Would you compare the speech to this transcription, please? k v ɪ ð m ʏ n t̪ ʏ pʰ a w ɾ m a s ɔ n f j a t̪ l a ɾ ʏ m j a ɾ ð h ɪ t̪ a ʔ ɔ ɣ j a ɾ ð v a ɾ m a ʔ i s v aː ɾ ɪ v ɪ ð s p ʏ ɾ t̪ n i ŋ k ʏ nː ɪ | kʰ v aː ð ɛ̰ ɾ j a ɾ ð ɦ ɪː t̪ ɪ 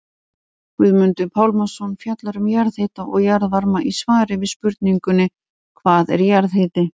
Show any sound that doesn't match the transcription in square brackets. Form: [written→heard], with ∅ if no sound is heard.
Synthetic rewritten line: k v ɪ ð m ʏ n t̪ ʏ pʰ a w [ɾ→l] m a s ɔ n f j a t̪ l a ɾ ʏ m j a ɾ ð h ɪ t̪ a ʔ ɔ ɣ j a ɾ ð v a ɾ m a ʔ i s v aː ɾ ɪ v ɪ ð s p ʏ ɾ t̪ n i ŋ k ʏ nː ɪ | kʰ v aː ð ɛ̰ ɾ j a ɾ ð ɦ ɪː t̪ ɪ